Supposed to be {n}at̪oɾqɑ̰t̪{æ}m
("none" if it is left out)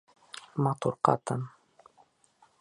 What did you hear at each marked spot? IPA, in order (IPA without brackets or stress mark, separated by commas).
m, a